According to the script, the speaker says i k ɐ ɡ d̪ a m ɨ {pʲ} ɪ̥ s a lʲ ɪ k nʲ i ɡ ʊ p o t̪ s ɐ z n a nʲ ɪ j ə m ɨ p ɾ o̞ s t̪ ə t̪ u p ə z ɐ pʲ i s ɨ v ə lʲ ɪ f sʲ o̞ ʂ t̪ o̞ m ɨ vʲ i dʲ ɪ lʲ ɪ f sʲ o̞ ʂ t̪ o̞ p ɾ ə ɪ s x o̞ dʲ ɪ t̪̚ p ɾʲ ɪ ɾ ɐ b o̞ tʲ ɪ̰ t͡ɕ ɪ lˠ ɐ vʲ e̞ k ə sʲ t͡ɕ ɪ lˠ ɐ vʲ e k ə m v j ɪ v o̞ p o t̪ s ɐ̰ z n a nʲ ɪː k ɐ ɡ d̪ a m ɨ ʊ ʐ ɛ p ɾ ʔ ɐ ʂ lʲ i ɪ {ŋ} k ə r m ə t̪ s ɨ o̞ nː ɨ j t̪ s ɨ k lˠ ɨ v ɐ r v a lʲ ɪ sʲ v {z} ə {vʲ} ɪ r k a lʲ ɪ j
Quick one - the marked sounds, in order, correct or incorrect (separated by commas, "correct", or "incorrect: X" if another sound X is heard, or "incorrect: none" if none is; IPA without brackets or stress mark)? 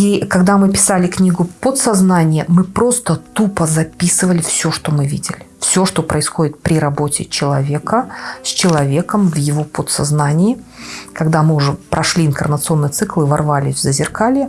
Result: correct, incorrect: n, correct, incorrect: zʲ